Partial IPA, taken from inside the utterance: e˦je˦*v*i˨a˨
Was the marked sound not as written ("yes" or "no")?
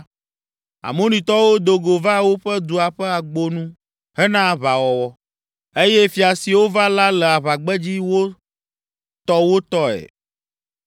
yes